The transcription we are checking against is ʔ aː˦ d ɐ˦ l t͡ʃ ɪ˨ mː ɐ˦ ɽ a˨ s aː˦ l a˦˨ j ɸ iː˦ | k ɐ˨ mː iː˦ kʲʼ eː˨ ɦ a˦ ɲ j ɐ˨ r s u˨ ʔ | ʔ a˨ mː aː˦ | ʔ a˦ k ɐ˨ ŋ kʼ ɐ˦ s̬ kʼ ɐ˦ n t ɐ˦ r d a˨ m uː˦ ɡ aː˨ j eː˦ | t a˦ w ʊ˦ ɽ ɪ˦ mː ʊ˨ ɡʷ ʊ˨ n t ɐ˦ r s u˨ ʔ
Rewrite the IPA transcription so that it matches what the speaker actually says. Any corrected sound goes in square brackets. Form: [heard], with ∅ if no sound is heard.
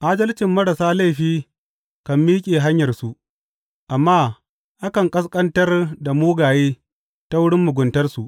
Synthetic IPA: ʔ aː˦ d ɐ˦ l t͡ʃ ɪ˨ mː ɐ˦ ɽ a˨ s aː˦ l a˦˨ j ɸ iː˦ | k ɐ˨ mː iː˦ kʲʼ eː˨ ɦ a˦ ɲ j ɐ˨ r s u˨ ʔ | ʔ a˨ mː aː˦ | ʔ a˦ k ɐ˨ ŋ kʼ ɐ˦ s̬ kʼ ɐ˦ n t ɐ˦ r d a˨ m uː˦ ɡ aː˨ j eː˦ | t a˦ w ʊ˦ ɽ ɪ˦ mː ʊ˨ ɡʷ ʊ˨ n t ɐ˦ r s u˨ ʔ